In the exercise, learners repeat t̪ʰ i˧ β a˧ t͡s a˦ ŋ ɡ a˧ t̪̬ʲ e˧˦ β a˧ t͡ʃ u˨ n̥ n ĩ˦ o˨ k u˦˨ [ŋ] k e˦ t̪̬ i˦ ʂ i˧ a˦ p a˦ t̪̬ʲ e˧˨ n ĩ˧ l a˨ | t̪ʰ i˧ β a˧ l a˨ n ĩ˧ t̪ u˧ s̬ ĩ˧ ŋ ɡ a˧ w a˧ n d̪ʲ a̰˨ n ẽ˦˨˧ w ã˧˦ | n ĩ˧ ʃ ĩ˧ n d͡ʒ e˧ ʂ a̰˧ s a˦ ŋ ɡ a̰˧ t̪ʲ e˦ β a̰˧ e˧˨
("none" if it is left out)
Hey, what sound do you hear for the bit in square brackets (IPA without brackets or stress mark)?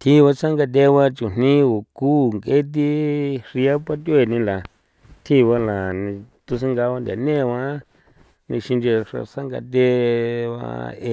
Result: ŋ